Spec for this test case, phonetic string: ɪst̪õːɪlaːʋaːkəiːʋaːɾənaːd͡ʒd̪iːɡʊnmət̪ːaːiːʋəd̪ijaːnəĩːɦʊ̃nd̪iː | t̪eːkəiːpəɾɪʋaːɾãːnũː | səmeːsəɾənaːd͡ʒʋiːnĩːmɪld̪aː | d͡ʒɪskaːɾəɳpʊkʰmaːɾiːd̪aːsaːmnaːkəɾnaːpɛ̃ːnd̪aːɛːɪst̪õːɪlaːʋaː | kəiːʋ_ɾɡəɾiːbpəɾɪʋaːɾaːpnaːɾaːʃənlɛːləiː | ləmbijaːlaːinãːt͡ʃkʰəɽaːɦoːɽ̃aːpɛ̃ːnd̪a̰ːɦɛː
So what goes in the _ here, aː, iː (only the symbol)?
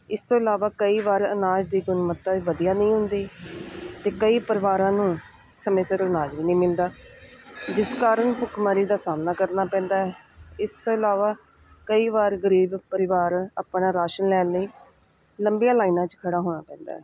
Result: aː